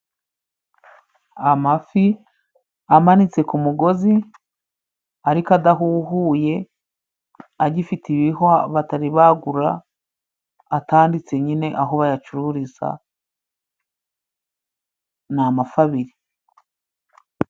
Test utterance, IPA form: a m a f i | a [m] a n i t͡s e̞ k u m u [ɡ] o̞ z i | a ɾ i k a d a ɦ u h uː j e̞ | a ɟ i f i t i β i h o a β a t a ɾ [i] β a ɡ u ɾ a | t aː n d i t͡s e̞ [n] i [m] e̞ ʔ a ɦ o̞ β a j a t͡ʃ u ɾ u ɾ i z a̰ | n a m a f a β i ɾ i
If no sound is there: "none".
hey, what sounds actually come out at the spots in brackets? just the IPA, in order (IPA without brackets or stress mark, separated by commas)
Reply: m, ɡ, i, ɲ, n